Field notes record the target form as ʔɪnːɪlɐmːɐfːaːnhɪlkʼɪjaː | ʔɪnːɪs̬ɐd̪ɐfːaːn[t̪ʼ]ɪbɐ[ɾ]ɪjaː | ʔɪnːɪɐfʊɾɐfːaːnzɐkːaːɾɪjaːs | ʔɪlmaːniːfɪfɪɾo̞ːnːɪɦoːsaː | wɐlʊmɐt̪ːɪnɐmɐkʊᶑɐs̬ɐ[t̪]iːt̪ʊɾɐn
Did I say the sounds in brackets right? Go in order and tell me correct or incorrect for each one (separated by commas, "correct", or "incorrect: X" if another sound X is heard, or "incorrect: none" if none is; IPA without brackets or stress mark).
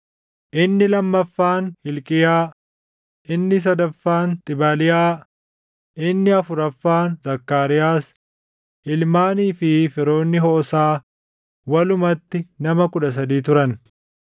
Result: correct, incorrect: l, incorrect: d̪